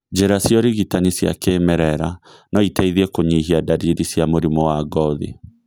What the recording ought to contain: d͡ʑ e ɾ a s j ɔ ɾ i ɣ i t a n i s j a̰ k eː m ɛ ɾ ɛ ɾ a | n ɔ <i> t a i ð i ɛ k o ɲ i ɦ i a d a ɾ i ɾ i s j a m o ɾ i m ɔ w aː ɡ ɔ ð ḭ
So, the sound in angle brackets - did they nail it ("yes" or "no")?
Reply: yes